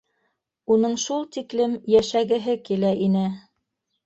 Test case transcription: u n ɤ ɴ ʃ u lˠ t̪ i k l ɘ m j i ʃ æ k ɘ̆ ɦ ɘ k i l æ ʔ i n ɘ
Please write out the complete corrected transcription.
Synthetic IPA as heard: u n ɤ ɴ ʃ u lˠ t̪ i k l ɘ m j æ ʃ æ ɡ ɘ̆ ɦ ɘ k i l æ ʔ i n ɘ